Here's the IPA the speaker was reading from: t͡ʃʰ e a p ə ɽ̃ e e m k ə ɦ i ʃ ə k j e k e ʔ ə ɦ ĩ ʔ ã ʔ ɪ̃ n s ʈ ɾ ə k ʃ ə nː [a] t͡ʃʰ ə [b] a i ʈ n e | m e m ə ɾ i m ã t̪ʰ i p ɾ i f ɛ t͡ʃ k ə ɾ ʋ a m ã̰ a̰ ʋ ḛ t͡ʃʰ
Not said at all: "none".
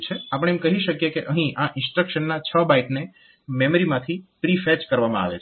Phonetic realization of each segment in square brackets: a, b

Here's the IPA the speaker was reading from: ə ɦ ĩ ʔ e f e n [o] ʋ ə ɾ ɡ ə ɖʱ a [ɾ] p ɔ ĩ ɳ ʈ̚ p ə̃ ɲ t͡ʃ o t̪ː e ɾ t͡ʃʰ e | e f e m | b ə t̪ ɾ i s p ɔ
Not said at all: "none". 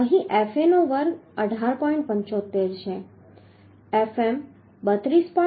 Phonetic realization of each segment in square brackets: o, ɾ

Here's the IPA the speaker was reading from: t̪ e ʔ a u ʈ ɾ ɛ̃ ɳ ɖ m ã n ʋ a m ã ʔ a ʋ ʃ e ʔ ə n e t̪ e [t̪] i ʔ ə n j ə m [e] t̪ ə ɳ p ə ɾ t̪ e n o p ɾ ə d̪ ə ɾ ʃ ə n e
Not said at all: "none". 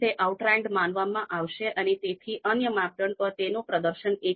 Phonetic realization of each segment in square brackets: t̪ʰ, a

